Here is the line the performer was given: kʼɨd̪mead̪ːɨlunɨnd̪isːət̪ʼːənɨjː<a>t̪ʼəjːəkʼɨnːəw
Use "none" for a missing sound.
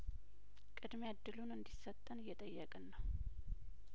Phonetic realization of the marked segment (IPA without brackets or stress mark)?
ɛ